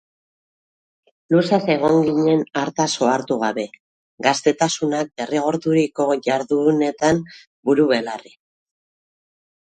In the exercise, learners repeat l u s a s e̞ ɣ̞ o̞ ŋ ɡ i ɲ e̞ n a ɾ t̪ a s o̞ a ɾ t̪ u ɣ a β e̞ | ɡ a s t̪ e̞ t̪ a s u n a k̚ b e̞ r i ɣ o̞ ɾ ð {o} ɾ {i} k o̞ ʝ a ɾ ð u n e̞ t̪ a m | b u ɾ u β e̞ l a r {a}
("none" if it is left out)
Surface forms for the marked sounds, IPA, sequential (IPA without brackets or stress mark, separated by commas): u, i, i